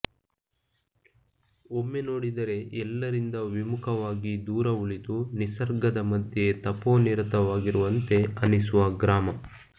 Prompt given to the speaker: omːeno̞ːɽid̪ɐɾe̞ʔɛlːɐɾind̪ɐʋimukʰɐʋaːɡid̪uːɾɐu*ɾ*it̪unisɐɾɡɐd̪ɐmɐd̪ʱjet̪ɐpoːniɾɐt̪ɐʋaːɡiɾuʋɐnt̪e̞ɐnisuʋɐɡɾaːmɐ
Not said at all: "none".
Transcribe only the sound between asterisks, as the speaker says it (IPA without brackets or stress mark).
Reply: ɭ